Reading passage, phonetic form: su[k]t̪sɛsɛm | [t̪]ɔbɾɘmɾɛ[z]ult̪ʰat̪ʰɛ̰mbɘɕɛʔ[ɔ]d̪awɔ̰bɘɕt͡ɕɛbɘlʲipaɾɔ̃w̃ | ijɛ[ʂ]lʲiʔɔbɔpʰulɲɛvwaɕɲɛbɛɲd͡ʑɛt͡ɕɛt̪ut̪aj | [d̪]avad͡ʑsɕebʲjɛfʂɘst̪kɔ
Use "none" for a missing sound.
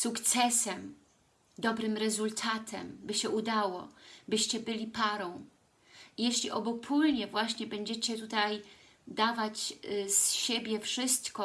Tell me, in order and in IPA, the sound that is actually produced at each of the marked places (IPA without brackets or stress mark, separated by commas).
k, d̪, z, u, ɕ, d̪